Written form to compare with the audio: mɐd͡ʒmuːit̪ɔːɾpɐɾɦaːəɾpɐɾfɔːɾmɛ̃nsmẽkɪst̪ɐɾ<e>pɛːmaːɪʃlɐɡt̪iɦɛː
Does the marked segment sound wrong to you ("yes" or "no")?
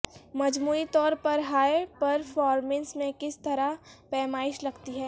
yes